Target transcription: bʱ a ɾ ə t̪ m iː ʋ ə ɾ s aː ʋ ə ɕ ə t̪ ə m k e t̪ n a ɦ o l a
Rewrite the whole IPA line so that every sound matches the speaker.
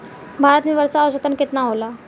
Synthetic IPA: bʱ a ɾ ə t̪ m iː ʋ ə ɾ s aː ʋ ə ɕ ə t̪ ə n k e t̪ n a ɦ o l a